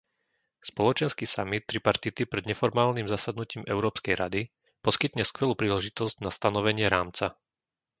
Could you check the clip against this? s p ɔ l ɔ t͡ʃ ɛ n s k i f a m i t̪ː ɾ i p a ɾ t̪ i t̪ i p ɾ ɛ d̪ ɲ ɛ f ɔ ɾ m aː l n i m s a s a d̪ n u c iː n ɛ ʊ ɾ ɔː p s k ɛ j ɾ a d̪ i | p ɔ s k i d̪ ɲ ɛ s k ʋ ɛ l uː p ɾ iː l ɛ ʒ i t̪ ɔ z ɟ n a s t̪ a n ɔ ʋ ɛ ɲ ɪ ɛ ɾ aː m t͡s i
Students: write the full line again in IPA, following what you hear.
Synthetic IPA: s p ɔ l ɔ t͡ʃ ɛ n s k i s a m i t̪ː ɾ i p a ɾ t̪ i t̪ i p ɾ ɛ d̪ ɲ ɛ f ɔ ɾ m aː l n i m z a s a d̪ n u c iː m ɛ ʊ ɾ ɔː p s k ɛ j ɾ a d̪ i | p ɔ s k i t̪ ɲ ɛ s k ʋ ɛ l uː p ɾ iː l ɛ ʒ i t̪ ɔ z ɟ n a s t̪ a n ɔ ʋ ɛ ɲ ɪ ɛ ɾ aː m t͡s a